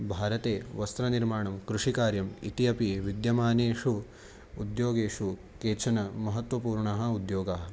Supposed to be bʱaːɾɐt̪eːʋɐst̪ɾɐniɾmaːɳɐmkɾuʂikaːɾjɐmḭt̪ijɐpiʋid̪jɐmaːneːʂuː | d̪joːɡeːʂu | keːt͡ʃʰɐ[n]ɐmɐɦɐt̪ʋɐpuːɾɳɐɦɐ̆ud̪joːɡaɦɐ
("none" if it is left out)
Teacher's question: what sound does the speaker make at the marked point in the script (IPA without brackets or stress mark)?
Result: n